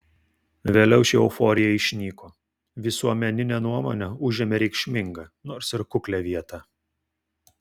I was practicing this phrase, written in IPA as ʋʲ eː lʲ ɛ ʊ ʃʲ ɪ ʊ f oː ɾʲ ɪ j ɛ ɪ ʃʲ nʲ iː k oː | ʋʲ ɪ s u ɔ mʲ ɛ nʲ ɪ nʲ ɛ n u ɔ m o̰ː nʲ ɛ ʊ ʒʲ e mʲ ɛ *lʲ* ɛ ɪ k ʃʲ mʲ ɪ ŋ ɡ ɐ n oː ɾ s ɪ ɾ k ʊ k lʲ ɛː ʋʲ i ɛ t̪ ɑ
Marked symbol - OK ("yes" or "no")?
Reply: no